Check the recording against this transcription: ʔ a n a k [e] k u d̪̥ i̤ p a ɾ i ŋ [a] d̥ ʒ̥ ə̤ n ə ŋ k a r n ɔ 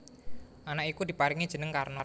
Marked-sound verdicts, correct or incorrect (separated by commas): incorrect, incorrect